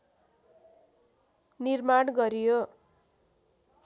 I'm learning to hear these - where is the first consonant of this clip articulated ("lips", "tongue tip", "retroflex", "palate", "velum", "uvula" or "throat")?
tongue tip